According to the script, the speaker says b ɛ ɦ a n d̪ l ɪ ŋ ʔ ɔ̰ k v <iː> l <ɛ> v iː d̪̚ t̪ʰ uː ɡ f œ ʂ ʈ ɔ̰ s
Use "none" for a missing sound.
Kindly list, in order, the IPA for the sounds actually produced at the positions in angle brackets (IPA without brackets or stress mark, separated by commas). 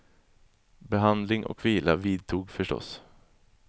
iː, a